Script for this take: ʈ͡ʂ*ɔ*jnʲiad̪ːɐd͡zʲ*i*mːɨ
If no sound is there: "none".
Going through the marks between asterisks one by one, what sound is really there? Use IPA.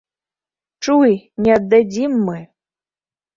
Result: u, i

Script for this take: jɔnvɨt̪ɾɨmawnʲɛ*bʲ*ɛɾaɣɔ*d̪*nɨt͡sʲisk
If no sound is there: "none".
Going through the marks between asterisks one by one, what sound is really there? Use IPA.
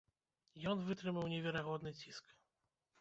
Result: vʲ, d̪

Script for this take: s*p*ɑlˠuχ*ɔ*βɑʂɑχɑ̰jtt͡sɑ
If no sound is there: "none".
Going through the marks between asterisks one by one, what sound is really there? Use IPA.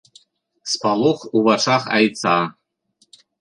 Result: p, u

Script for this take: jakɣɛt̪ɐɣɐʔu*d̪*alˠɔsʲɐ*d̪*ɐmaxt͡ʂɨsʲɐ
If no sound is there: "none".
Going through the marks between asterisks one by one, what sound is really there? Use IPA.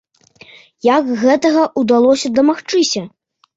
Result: d̪, d̪

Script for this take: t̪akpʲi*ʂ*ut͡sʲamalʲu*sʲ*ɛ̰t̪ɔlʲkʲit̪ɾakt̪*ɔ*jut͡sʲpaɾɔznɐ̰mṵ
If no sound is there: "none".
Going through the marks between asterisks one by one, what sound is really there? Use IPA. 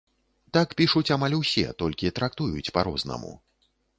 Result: ʂ, sʲ, u

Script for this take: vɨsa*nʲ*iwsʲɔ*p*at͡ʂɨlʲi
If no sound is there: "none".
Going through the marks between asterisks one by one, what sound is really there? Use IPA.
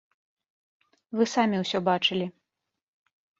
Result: mʲ, b

